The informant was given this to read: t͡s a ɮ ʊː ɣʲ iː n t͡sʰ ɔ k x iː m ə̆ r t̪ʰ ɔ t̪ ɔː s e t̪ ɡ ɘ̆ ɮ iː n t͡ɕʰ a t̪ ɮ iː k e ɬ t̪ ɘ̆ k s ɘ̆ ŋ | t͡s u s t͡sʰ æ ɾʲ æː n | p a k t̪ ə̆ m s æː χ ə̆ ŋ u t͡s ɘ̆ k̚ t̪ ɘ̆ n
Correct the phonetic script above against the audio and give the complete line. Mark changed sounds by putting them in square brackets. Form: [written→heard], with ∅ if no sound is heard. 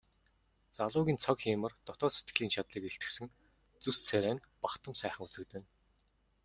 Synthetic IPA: t͡s a ɮ ʊː ɣʲ iː n t͡sʰ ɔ k x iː m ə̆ r [t̪ʰ→t̪] ɔ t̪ ɔː s e t̪ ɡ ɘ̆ ɮ iː n t͡ɕʰ a t̪ ɮ iː k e ɬ t̪ ɘ̆ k s ɘ̆ ŋ | t͡s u s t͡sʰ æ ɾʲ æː n | p a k t̪ ə̆ m s æː χ ə̆ ŋ u t͡s ɘ̆ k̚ t̪ ɘ̆ n